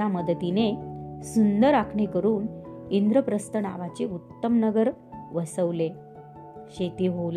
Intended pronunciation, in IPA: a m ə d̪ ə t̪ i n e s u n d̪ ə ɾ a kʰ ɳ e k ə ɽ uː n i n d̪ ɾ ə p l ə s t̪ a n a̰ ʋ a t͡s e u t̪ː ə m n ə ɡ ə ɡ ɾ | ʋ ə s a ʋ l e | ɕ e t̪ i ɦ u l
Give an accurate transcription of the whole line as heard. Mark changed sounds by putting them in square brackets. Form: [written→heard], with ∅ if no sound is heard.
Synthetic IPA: a m ə d̪ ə t̪ i n e s u n d̪ ə ɾ a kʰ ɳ e k ə [ɽ→ɾ] uː n i n d̪ ɾ ə p [l→ɾ] ə s t̪ [a→ə] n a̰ ʋ a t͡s e u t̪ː ə m n ə ɡ ə [ɡ→∅] ɾ | ʋ ə s [a→ə] ʋ l e | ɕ e t̪ i ɦ [u→o] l